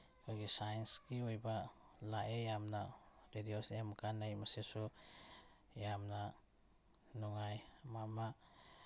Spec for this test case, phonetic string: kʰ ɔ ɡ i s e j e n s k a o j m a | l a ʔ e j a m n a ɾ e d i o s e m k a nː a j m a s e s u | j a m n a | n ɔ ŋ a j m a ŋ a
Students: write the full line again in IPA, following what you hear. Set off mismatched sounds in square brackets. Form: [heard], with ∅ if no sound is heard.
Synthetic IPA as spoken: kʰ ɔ ɡ i s [a] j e n s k [i] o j [b] a | l a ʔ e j a m n a ɾ e d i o s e m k a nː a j m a s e s u | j a m n a | n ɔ ŋ a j m a [m] a

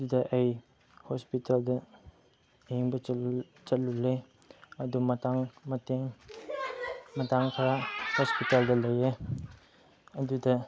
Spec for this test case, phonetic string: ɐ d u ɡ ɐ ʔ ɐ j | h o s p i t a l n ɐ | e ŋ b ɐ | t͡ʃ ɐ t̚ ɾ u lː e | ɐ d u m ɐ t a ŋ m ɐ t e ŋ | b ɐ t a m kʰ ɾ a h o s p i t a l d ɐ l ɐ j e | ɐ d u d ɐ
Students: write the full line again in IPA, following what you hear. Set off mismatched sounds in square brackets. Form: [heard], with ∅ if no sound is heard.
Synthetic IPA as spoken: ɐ d u [d] ɐ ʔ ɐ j | h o s p i t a l [d] ɐ | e ŋ b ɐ | t͡ʃ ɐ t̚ [l] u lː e | ɐ d u m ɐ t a ŋ m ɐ t e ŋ | [m] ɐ t a [ŋ] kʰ ɾ a h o s p i t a l d ɐ l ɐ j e | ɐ d u d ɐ

